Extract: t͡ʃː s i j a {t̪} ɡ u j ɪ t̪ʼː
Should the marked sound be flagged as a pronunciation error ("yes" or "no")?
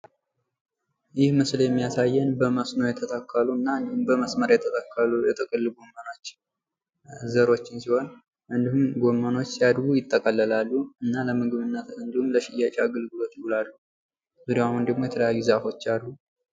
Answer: yes